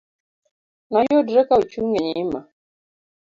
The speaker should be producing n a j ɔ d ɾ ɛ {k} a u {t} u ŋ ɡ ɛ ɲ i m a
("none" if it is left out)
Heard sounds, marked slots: k, t͡ʃ

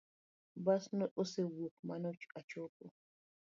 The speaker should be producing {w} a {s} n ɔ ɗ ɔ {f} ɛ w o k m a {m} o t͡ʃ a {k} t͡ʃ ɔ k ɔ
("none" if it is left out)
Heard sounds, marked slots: b, s, s, n, none

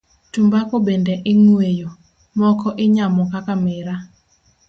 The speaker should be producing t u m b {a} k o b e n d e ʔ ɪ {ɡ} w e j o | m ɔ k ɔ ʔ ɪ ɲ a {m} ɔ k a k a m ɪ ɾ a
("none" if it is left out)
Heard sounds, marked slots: a, ŋ, m

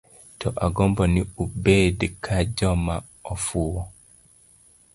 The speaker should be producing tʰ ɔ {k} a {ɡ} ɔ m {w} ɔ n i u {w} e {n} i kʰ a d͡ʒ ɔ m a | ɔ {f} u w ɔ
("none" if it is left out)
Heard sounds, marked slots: ʔ, ɡ, b, b, d, f

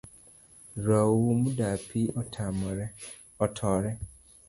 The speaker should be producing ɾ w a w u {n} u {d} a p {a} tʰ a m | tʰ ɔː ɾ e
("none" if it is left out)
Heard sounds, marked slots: m, d, i

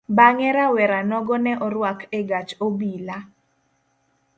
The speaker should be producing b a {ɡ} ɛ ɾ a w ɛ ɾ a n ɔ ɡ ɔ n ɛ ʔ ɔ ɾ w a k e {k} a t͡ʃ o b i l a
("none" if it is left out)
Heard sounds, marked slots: ŋ, ɡ

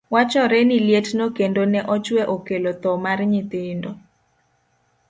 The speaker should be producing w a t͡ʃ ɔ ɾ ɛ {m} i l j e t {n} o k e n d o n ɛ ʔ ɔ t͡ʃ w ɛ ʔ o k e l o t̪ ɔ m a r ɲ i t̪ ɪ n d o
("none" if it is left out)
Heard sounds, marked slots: n, n

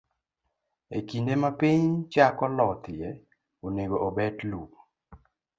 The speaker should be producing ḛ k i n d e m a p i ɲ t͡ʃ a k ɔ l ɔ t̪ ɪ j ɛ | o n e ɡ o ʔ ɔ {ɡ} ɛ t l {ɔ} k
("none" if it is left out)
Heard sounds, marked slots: b, u

